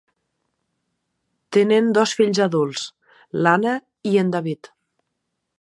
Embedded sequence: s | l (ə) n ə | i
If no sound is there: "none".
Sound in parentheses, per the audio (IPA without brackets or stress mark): a